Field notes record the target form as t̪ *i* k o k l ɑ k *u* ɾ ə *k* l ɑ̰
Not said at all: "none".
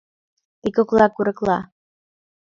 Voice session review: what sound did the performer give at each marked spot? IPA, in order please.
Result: i, u, k

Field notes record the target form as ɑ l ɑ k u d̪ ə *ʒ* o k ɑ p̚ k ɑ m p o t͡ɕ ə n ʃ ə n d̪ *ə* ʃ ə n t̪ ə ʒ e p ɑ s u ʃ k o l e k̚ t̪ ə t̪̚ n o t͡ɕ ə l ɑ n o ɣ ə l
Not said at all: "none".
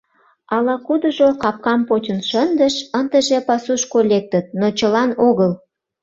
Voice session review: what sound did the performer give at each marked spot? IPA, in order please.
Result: ʒ, ə

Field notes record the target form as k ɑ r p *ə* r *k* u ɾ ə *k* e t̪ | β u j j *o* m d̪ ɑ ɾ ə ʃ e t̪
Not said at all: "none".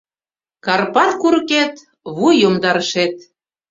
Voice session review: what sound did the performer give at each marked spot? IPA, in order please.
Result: ɑ, k, k, o

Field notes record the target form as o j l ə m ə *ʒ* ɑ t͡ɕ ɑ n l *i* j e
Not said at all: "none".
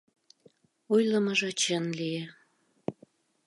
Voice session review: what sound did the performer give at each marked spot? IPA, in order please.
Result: ʒ, i

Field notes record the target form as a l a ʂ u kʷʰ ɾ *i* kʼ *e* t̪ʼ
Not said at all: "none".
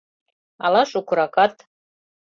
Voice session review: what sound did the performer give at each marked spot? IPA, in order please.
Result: a, a

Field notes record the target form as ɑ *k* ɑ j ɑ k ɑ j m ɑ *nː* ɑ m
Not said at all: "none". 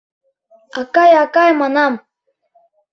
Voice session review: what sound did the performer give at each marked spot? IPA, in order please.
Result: k, n

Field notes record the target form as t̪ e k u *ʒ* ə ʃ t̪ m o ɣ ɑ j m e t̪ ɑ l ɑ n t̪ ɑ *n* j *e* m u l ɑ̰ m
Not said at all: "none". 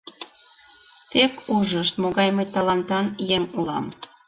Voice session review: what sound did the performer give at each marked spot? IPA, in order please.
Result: ʒ, n, e

